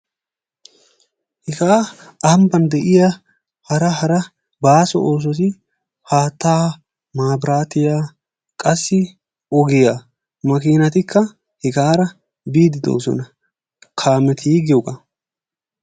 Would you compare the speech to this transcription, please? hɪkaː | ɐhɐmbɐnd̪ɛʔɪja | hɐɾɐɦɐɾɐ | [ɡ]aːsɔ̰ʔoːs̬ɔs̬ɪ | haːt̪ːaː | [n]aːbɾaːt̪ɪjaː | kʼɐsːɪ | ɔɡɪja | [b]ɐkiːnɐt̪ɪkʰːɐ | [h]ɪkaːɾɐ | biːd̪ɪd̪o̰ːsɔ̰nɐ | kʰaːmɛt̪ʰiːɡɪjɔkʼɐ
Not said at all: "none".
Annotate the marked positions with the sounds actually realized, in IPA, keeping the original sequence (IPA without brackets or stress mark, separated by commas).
b, m, m, h